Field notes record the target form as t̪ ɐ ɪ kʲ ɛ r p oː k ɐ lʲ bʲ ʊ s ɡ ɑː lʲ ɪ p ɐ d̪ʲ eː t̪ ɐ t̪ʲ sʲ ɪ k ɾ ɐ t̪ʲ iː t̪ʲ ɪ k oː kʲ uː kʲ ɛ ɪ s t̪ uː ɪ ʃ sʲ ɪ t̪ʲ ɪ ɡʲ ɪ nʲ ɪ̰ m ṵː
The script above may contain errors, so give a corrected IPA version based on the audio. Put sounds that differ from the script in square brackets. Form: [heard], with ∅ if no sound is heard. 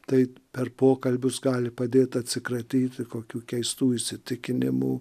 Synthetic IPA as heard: t̪ ɐ ɪ [pʲ] ɛ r p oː k ɐ lʲ bʲ ʊ s ɡ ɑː lʲ ɪ p ɐ d̪ʲ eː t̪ ɐ t̪ʲ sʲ ɪ k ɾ ɐ t̪ʲ iː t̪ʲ ɪ k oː kʲ uː kʲ ɛ ɪ s t̪ uː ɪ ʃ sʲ ɪ t̪ʲ ɪ [kʲ] ɪ nʲ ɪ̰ m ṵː